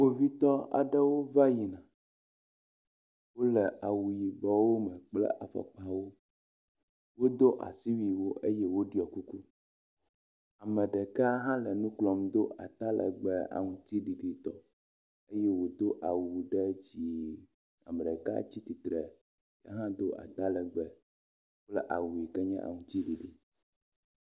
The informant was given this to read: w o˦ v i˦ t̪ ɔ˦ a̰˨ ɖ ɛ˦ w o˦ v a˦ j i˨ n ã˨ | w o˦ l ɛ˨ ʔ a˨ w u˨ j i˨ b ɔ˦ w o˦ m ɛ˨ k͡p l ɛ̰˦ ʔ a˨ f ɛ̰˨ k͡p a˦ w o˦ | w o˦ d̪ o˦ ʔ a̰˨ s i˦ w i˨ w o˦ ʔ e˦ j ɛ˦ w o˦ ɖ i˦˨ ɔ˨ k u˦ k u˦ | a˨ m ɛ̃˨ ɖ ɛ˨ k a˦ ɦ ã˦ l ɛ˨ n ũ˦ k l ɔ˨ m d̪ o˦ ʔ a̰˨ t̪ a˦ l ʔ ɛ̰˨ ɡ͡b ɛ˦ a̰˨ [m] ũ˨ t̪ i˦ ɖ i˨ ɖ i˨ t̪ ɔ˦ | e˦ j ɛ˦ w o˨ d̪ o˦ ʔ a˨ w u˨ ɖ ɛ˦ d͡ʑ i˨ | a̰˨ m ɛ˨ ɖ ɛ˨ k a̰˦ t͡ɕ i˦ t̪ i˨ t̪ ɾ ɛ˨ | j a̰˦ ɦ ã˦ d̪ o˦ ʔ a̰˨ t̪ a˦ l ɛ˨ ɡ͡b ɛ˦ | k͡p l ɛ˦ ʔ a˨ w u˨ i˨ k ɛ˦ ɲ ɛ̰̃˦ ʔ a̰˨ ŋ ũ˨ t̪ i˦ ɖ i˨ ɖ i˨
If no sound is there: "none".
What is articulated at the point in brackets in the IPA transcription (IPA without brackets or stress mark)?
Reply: ŋ